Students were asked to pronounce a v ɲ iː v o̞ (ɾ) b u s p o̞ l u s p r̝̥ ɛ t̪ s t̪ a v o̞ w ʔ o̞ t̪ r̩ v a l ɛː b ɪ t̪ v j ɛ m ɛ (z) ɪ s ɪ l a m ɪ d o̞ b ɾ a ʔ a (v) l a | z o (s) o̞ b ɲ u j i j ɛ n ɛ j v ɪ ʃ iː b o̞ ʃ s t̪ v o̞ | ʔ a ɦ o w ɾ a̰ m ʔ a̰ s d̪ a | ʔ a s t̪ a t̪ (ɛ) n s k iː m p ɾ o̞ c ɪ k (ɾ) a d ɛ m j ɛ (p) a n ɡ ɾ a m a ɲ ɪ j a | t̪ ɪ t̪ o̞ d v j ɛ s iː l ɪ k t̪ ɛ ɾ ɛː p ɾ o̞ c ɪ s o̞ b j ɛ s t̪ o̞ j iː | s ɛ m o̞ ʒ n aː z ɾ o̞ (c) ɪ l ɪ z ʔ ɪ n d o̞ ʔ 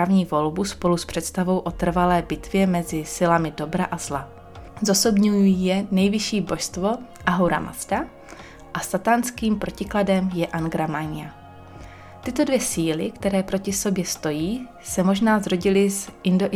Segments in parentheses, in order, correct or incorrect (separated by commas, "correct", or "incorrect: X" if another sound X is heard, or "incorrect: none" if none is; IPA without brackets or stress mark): incorrect: l, correct, incorrect: z, correct, incorrect: a, incorrect: l, incorrect: ʔ, incorrect: ɟ